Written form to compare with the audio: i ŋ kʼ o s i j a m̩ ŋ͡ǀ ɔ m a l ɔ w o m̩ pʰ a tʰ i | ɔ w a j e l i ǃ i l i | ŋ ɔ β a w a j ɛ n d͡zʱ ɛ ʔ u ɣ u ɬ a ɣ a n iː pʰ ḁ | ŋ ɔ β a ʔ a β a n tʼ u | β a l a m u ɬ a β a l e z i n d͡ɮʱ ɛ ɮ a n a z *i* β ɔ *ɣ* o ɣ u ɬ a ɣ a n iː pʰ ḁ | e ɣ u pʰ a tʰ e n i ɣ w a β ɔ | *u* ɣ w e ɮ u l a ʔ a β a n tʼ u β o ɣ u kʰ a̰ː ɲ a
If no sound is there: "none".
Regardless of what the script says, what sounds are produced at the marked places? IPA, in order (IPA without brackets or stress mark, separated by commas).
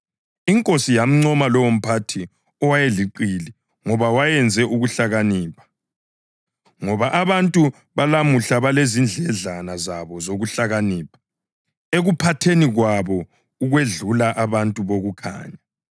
a, z, u